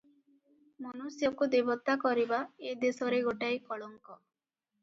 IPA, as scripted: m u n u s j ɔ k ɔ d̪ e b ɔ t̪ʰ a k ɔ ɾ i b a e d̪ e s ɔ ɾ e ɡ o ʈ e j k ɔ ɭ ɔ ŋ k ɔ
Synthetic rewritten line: m ɔ n u s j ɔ k u d̪ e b ɔ t̪ a k ɔ ɾ i b a e d̪ e s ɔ ɾ e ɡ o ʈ a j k ɔ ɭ ɔ ŋ k ɔ